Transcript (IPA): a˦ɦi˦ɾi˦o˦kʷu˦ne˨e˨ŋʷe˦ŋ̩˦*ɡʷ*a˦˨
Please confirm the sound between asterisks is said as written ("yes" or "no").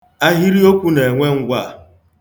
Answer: yes